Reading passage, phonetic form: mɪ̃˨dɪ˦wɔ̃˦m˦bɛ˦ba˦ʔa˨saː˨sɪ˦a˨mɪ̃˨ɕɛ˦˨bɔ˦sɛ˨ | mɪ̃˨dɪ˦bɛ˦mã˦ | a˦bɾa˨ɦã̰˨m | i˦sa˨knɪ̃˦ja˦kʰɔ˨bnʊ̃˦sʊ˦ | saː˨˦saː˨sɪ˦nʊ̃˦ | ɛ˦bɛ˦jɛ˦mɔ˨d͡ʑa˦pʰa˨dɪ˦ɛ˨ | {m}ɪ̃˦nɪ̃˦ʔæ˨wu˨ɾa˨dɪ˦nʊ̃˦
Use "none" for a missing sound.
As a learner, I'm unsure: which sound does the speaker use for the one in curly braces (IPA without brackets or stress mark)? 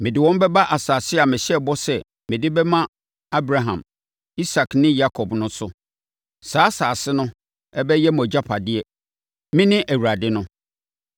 m